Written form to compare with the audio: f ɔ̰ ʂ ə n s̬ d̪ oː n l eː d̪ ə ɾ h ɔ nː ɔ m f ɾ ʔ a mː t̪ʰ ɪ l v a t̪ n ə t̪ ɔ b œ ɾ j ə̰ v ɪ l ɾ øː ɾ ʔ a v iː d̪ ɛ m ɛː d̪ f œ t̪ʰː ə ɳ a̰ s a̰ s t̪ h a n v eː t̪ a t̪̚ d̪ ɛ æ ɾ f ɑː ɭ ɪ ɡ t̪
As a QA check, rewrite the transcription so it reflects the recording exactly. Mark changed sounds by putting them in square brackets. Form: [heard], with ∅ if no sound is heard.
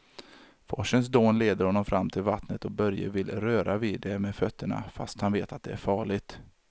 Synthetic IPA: f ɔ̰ ʂ ə n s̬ d̪ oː n l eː d̪ ə ɾ h ɔ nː ɔ m f ɾ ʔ a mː t̪ʰ ɪ l v a t̪ n ə t̪ ɔ b œ ɾ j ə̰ v ɪ l ɾ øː ɾ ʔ a v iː d̪ ɛ m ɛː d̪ f œ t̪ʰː ə ɳ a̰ [f] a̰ s t̪ h a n v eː t̪ a t̪̚ d̪ ɛ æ ɾ f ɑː ɭ ɪ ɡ t̪